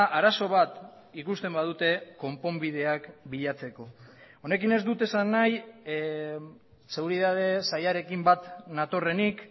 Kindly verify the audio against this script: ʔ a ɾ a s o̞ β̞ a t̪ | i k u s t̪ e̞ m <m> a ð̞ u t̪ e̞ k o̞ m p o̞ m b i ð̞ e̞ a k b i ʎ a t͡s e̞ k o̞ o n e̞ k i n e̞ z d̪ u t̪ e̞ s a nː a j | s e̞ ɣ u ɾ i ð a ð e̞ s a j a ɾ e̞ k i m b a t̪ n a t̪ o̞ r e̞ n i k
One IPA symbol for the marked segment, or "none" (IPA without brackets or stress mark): b